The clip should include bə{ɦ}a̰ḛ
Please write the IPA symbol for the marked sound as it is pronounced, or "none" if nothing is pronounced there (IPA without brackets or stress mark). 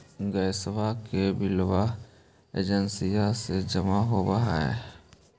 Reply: ɦ